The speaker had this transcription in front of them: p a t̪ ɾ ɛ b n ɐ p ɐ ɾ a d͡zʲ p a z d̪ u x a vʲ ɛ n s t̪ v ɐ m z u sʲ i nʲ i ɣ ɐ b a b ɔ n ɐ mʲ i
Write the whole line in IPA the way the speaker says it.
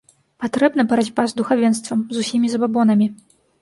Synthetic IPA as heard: p a t̪ ɾ ɛ b n ɐ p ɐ ɾ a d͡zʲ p a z d̪ u x a vʲ ɛ n s t̪ v ɐ m z u sʲ i mʲ i z ɐ b a b ɔ n ɐ mʲ i